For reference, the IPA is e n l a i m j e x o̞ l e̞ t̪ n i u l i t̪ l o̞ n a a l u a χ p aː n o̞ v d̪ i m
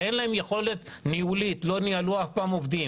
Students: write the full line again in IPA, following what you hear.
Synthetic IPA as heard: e n l a e m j e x o̞ l e̞ t̪ n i u l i t̪ l o̞ n i a l u a f p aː m o̞ v d̪ i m